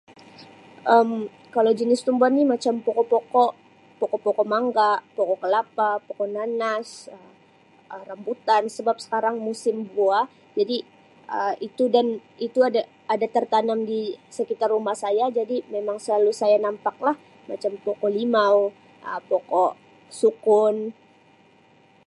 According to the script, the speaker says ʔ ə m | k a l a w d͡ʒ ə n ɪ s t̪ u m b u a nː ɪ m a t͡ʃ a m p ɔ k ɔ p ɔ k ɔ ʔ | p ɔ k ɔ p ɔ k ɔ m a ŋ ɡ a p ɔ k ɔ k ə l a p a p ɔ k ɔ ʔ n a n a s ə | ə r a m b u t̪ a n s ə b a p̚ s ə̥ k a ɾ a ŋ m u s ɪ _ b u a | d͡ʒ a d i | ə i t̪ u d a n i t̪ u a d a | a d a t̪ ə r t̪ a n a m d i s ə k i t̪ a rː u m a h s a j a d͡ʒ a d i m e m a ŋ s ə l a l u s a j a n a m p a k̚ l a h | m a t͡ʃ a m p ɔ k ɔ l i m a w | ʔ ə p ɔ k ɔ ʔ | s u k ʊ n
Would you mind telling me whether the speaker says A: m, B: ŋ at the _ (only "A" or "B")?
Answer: A